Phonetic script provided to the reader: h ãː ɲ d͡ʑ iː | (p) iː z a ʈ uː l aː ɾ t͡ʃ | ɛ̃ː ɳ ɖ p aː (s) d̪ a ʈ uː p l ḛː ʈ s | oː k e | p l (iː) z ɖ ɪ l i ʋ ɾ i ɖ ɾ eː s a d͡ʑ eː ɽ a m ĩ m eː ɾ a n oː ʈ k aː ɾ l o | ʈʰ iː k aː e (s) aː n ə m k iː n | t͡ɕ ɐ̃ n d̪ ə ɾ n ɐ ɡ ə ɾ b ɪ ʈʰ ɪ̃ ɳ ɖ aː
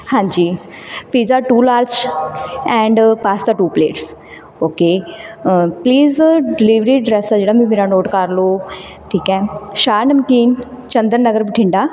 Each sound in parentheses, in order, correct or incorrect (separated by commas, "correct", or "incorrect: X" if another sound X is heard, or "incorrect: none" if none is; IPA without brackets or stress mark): correct, correct, correct, incorrect: ʃ